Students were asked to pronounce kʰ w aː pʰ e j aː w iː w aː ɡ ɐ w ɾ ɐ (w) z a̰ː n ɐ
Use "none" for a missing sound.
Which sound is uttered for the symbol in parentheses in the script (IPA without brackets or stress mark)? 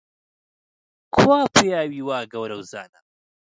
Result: w